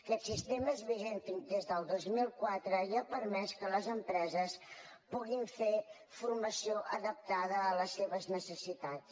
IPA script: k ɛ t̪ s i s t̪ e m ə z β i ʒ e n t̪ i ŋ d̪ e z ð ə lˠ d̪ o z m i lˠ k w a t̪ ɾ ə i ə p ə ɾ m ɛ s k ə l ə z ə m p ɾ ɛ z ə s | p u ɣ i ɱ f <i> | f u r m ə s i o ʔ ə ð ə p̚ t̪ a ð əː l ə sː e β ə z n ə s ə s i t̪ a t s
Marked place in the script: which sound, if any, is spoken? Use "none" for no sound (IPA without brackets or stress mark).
e